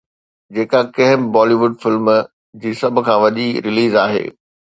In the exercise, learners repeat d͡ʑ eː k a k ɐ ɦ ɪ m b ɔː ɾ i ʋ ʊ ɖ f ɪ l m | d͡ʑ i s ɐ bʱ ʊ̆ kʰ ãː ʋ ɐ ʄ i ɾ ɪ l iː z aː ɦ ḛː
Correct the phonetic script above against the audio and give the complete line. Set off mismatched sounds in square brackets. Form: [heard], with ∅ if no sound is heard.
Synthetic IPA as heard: d͡ʑ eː k a k ɐ ɦ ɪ m b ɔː [l] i ʋ ʊ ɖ f ɪ l m | d͡ʑ [iː] s ɐ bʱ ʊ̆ kʰ ãː ʋ ɐ ʄ i ɾ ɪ l iː z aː ɦ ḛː